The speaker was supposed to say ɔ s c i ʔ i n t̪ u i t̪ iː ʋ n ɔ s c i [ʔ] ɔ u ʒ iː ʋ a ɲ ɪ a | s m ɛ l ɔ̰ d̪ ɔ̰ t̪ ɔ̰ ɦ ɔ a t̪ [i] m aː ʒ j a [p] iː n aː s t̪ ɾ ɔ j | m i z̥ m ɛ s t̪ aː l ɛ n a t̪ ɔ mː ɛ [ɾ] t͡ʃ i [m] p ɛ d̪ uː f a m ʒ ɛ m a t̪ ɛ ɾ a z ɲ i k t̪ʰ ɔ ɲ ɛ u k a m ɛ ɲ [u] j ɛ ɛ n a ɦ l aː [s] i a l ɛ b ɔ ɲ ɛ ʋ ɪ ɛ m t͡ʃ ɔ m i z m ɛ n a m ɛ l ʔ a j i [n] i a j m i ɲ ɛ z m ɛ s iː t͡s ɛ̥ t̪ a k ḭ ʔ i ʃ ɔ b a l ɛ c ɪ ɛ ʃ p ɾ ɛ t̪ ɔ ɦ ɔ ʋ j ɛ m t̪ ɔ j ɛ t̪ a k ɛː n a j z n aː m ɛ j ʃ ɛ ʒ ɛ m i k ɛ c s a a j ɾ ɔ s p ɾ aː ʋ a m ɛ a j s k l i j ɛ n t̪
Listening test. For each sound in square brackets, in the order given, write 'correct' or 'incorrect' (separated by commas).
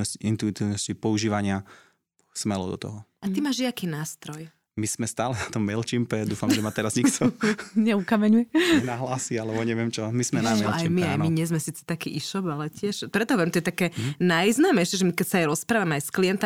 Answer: incorrect, correct, incorrect, incorrect, correct, correct, correct, incorrect